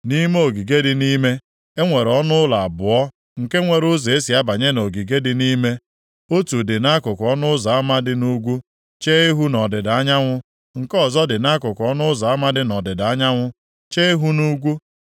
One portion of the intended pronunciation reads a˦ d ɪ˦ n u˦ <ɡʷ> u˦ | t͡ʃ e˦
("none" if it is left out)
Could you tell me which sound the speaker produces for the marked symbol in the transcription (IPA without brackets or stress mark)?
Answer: ɡʷ